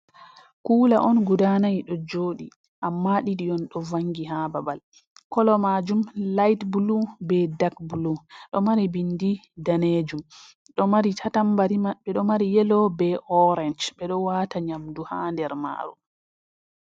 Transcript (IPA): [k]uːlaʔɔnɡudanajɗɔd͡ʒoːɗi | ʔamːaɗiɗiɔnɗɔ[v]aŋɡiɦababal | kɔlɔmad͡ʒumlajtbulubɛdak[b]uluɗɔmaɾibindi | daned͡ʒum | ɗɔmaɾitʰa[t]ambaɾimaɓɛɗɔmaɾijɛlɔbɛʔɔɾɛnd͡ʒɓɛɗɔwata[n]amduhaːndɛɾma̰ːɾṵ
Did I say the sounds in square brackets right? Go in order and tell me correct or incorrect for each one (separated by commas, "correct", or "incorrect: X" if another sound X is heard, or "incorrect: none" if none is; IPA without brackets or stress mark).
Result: correct, correct, correct, correct, incorrect: ɲ